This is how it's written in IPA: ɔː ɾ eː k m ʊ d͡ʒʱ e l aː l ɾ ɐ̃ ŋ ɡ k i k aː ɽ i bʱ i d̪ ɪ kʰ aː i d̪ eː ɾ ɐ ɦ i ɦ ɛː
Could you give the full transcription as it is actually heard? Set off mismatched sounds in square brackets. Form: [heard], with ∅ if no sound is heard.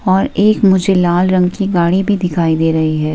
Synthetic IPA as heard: ɔː ɾ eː k m ʊ d͡ʒʱ e l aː l ɾ ɐ̃ ŋ ɡ k i [ɡ] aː ɽ i bʱ i d̪ ɪ kʰ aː i d̪ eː ɾ ɐ ɦ i ɦ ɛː